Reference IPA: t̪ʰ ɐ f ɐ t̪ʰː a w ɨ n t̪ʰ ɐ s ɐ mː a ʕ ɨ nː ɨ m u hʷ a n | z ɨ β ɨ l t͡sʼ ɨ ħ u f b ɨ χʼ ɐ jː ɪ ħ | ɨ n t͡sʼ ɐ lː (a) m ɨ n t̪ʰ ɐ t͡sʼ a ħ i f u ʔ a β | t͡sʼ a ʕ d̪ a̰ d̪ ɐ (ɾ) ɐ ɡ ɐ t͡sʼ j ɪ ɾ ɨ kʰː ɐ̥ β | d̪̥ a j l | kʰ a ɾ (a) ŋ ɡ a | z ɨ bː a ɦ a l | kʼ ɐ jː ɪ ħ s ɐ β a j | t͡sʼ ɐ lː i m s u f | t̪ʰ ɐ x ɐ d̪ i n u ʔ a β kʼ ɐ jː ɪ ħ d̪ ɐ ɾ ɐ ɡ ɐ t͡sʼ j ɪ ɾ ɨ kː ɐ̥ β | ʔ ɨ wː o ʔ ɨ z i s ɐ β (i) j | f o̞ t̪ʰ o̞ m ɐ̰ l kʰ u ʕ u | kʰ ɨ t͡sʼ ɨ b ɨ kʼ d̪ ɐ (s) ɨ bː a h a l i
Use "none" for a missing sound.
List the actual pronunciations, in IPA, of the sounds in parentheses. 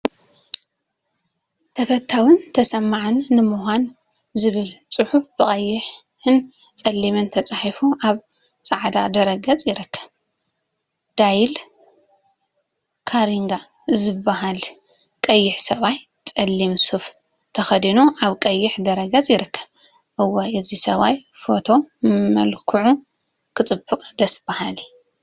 i, ɾ, i, a, s

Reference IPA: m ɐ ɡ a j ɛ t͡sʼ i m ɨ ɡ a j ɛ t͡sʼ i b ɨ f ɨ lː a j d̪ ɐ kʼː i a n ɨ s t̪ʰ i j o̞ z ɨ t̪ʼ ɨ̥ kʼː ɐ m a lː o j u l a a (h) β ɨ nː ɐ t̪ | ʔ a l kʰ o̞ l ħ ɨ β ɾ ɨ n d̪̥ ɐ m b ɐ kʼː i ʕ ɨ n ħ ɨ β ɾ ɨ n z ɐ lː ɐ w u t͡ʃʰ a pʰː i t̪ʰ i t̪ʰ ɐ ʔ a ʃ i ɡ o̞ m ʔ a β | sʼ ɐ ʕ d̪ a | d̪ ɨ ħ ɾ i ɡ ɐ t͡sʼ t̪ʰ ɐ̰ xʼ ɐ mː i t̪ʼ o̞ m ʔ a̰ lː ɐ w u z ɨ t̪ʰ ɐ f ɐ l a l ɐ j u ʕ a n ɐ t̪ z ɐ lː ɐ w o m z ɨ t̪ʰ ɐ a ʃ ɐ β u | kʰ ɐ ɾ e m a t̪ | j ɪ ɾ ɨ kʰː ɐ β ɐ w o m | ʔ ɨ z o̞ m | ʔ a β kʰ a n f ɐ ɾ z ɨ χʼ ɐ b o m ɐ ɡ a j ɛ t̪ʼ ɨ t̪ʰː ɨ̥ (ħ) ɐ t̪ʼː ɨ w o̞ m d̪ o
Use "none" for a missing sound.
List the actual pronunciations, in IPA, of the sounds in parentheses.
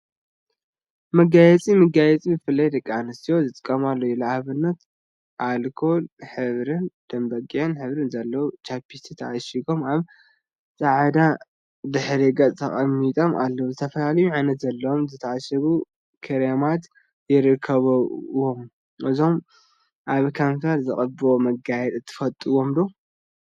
h, f

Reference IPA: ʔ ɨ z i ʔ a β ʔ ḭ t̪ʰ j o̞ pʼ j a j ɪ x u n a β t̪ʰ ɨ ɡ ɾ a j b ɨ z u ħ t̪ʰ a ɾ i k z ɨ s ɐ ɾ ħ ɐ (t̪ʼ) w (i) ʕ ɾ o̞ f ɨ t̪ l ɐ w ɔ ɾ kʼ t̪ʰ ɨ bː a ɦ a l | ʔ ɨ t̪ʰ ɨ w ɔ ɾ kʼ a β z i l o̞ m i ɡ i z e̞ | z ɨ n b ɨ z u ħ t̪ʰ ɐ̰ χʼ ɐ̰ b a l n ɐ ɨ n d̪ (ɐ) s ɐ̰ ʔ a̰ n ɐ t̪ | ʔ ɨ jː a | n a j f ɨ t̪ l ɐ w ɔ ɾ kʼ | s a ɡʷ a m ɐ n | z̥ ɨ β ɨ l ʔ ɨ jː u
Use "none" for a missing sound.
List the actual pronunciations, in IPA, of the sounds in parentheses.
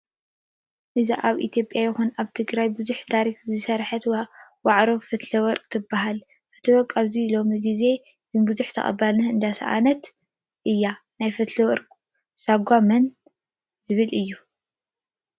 t̪, a, a

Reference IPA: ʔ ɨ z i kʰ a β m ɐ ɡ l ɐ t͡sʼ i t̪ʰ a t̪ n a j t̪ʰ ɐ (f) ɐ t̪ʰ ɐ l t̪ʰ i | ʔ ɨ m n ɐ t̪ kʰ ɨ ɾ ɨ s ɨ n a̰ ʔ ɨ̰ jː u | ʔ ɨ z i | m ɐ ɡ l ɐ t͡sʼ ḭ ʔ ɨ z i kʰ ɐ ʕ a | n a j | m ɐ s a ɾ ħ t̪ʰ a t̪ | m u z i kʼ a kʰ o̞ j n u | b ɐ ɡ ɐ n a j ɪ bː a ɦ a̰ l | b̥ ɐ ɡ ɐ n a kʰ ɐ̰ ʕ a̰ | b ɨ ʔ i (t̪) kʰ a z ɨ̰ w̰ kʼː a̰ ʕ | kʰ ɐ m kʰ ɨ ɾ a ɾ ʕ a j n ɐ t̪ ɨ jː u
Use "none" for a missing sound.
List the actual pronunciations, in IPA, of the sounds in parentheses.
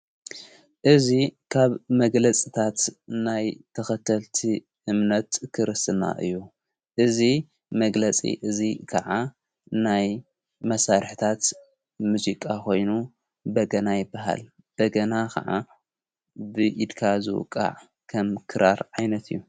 x, d̪

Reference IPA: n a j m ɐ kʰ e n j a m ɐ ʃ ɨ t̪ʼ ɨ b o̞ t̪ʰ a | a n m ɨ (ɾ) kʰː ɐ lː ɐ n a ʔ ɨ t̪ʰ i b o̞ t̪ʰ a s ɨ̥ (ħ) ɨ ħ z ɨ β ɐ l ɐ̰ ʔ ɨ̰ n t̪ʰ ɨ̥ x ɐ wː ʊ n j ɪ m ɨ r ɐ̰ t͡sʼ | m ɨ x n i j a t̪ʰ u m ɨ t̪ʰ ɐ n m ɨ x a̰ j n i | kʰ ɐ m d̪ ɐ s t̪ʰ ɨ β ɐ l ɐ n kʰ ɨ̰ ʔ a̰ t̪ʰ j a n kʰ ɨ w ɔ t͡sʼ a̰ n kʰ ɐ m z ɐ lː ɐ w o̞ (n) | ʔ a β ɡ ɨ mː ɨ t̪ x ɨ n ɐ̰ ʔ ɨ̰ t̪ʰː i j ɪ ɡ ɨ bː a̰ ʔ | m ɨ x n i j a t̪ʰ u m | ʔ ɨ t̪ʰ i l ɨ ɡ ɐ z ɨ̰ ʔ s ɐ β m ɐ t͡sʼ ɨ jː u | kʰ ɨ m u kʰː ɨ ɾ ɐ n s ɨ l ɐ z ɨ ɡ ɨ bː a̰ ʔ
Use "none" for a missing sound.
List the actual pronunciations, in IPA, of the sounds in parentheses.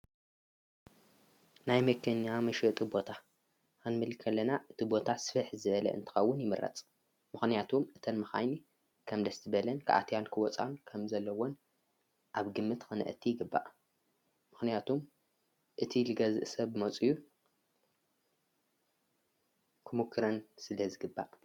l, f, n

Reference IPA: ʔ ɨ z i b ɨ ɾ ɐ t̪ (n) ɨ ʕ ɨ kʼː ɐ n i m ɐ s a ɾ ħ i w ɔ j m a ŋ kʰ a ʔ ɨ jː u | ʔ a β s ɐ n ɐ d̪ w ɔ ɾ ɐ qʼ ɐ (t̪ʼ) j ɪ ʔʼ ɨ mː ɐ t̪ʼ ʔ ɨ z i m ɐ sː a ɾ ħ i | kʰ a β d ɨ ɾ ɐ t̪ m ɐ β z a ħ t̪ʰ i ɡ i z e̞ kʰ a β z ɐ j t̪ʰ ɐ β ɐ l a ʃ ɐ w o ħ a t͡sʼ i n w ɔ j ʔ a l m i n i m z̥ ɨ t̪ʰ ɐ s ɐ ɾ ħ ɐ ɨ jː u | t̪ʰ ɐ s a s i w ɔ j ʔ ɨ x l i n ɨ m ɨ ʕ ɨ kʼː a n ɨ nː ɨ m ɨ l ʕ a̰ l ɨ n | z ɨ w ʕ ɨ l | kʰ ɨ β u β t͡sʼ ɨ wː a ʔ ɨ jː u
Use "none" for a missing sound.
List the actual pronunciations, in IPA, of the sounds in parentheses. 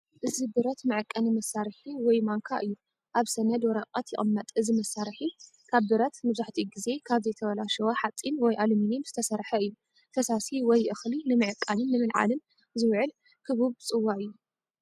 m, t̪

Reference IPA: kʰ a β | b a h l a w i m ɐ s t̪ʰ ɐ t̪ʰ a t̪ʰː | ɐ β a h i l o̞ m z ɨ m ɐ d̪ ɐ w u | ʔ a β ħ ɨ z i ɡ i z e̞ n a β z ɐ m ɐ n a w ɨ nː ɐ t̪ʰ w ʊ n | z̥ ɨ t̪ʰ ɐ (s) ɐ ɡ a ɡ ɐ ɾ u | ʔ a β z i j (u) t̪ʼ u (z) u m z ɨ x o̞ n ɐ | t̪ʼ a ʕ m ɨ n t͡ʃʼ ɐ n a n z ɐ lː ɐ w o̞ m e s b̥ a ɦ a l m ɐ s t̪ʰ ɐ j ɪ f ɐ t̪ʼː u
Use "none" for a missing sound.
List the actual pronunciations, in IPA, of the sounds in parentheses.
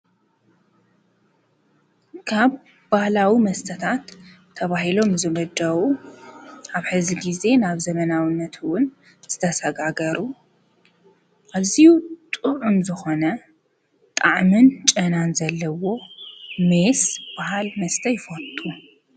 s, u, ʕ

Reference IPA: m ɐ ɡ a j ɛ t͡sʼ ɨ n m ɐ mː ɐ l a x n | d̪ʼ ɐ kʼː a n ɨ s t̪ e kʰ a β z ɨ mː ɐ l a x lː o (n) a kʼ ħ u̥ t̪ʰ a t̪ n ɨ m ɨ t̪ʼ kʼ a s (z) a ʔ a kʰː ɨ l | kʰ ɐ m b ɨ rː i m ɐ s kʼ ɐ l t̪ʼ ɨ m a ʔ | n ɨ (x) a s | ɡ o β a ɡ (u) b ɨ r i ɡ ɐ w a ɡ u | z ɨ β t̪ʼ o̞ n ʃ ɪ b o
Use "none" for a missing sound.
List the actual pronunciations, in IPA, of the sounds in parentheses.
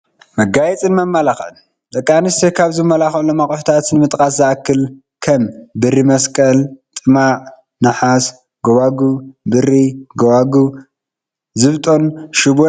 m, z, ħ, u

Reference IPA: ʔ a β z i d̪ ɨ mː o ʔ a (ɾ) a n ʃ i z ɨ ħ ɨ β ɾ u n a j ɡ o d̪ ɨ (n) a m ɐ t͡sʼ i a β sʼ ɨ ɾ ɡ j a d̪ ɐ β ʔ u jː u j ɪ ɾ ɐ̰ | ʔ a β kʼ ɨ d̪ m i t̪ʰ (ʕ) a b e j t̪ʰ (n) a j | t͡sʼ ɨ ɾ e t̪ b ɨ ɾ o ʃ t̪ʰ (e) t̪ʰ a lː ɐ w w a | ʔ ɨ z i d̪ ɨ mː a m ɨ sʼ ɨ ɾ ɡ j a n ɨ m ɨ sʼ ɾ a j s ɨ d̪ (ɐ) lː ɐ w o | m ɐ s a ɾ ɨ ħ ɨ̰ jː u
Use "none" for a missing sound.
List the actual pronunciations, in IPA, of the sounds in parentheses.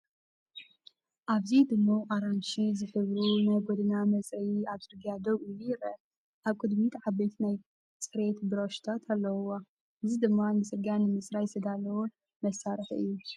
ɾ, n, ʕ, n, a, a

